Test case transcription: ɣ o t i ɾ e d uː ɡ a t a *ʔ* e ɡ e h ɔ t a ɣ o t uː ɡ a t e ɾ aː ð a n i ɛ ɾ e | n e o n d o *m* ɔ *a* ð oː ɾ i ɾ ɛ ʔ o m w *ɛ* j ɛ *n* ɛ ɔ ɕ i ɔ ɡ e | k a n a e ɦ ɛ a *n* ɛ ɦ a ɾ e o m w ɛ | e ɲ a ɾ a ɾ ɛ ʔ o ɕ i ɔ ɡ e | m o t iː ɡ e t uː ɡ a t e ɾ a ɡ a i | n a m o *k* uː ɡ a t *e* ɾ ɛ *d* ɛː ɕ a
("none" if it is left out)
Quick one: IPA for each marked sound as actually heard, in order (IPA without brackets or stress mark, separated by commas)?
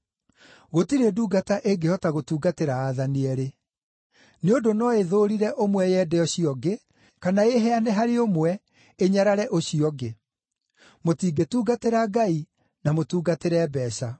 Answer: ʔ, n, e, ɛ, d, n, t, e, b